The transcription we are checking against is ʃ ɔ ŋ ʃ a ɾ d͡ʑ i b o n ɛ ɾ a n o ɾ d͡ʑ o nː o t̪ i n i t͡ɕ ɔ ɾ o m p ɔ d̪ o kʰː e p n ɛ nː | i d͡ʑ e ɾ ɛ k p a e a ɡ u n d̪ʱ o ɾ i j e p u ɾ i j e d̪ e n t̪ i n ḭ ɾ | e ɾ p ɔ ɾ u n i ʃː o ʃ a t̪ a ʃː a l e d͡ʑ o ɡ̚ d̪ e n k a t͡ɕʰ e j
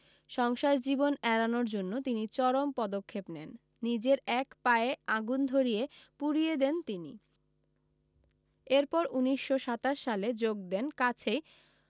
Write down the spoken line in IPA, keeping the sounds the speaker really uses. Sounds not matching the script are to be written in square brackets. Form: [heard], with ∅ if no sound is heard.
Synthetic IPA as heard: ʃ ɔ ŋ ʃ a ɾ d͡ʑ i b o n ɛ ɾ a n o ɾ d͡ʑ o nː o t̪ i n i t͡ɕ ɔ ɾ o m p ɔ d̪ o kʰː e p n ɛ nː | i d͡ʑ e ɾ ɛ k p a e a ɡ u n d̪ʱ o ɾ i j e p u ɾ i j e d̪ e n t̪ i n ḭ [∅] | e ɾ p ɔ ɾ u n i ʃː o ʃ a t̪ a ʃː a l e d͡ʑ o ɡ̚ d̪ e n k a t͡ɕʰ e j